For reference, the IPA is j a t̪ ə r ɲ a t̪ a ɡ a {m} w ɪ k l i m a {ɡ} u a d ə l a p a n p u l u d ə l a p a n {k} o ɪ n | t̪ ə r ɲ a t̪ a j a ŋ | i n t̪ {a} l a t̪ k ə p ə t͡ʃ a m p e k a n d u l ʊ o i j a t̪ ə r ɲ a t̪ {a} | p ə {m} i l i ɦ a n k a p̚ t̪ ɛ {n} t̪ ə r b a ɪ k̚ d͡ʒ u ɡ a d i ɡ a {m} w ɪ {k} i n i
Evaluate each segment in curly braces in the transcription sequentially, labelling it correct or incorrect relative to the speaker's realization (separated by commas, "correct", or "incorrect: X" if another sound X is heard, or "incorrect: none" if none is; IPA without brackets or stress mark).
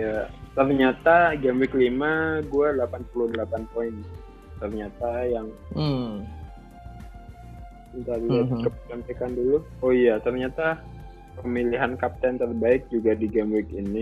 correct, correct, incorrect: p, correct, correct, correct, correct, correct, correct